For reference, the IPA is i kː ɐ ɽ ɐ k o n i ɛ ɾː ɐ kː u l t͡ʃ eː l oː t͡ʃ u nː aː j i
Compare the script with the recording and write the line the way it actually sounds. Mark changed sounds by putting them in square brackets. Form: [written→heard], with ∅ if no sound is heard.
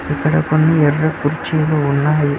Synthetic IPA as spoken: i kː ɐ ɽ ɐ k o [n→nː] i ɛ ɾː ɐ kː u [l→ɾ] t͡ʃ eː l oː [t͡ʃ→∅] u nː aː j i